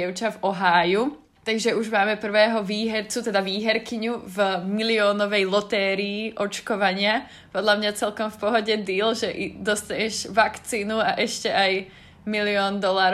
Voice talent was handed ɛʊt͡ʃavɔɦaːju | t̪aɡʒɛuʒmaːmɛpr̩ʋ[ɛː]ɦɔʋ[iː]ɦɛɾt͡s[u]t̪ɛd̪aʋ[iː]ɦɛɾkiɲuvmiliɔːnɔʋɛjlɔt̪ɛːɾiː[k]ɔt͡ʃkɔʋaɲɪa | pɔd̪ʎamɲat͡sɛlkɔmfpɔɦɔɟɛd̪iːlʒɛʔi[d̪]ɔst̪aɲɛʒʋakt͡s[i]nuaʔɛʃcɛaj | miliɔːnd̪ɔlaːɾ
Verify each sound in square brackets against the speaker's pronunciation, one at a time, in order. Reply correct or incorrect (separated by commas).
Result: correct, correct, correct, correct, incorrect, correct, incorrect